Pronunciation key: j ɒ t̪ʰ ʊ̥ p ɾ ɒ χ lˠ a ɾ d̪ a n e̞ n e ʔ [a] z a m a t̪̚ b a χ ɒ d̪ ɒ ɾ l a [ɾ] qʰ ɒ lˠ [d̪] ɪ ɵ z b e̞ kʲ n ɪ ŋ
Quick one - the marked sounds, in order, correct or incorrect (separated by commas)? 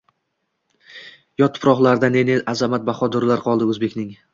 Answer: correct, correct, correct